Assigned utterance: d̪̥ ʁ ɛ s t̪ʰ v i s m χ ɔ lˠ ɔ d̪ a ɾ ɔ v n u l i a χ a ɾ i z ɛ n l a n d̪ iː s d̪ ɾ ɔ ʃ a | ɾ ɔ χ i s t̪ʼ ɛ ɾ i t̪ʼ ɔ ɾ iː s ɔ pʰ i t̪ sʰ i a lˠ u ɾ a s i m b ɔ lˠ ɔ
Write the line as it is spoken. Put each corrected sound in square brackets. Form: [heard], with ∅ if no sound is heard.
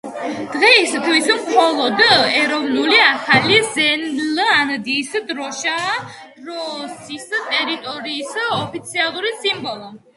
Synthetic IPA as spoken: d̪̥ ʁ ɛ s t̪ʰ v i s m χ ɔ lˠ ɔ d̪ [ɛ] ɾ ɔ v n u l i a χ a [l] i z ɛ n l a n d̪ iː s d̪ ɾ ɔ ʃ a | ɾ ɔ [s] i s t̪ʼ ɛ ɾ i t̪ʼ ɔ ɾ iː s ɔ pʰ i t̪ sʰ i a lˠ u ɾ [i] s i m b ɔ lˠ ɔ